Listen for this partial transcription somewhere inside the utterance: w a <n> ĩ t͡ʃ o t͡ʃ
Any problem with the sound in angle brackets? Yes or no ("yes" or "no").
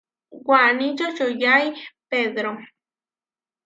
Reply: no